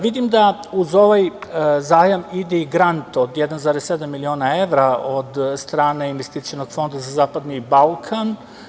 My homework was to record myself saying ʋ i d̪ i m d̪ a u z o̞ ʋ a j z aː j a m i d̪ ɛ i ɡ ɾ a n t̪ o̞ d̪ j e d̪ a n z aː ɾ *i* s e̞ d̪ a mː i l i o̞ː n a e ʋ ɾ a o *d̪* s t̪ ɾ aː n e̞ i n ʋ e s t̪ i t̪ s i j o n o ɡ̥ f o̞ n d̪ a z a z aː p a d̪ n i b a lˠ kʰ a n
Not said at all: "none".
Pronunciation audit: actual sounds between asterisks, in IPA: e, d̪

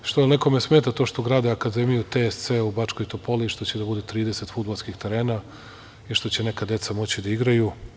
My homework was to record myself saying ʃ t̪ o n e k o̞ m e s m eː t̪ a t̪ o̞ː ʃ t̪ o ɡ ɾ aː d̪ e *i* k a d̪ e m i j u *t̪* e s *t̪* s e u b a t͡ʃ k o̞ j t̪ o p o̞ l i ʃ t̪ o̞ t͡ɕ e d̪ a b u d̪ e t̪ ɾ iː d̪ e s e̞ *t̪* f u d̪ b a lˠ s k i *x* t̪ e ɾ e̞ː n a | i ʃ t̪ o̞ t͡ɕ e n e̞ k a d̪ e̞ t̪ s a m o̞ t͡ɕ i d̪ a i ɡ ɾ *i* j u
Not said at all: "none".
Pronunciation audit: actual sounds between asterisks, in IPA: a, t̪, t̪, t̪, x, a

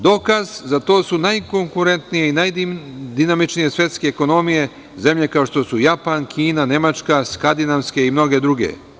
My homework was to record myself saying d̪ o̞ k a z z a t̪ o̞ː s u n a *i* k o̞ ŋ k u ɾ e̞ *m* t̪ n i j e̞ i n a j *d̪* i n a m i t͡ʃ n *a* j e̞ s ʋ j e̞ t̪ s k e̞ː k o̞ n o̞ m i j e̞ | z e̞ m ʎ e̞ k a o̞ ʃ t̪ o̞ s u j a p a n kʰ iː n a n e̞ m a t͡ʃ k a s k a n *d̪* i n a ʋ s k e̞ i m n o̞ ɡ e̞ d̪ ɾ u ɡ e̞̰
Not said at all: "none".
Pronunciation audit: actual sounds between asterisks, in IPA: j, n, d̪, i, d̪

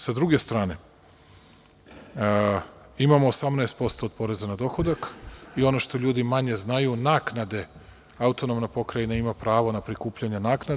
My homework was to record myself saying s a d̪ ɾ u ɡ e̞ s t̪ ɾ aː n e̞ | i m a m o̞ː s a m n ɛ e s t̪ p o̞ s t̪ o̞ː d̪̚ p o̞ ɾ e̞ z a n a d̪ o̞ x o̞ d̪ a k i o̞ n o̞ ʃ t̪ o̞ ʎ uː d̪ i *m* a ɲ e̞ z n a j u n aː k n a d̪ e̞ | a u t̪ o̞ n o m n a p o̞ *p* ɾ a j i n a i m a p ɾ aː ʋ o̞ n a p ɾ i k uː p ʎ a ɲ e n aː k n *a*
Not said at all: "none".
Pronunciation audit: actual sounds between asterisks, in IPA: m, k, a

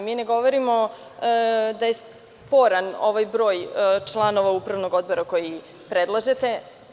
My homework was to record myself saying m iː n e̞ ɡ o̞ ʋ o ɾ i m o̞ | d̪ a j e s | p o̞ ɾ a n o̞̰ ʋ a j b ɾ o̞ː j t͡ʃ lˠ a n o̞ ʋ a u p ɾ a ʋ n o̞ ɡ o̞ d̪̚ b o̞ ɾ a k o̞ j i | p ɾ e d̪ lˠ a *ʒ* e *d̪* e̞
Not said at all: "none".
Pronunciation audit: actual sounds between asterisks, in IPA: ʒ, t̪

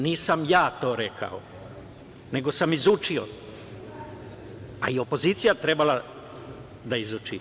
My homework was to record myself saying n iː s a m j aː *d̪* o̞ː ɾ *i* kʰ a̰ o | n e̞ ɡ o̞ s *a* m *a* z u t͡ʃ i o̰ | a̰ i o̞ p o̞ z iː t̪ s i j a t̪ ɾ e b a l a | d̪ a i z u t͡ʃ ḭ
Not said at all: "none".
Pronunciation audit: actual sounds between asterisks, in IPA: t̪, e, a, i

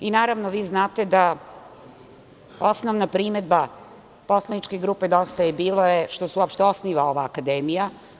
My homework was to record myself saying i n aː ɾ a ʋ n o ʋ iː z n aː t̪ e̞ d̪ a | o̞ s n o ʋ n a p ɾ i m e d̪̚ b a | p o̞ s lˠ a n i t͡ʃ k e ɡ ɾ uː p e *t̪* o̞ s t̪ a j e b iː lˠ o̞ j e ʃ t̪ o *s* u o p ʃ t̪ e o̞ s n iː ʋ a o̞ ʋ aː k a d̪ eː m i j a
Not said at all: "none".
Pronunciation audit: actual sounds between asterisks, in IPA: d̪, s

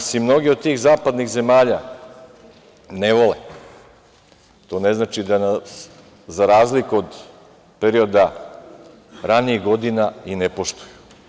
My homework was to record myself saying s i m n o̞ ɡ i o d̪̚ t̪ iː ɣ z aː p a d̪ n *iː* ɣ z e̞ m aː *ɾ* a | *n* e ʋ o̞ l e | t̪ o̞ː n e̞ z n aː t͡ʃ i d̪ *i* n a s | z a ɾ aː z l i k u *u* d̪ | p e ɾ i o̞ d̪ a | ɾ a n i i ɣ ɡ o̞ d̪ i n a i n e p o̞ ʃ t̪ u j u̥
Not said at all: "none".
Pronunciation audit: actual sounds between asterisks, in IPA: i, ʎ, n, a, o

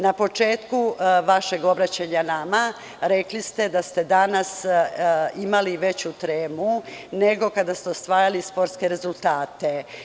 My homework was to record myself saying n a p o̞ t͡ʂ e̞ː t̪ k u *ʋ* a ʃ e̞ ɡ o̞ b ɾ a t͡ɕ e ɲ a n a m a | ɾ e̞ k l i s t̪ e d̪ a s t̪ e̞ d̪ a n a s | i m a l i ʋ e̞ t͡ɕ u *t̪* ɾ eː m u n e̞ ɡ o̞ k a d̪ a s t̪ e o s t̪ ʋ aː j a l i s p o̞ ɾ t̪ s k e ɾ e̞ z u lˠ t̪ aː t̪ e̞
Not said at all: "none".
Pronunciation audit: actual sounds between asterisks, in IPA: ʋ, t̪

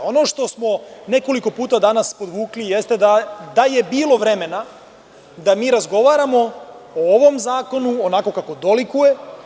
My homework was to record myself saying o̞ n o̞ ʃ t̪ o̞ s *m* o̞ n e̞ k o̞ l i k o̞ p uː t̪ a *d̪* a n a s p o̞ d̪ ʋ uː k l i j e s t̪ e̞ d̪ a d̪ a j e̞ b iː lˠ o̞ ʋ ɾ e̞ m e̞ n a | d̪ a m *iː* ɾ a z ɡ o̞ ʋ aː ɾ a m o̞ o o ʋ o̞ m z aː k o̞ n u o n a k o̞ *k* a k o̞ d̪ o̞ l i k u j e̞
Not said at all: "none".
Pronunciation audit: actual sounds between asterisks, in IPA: m, d̪, iː, k

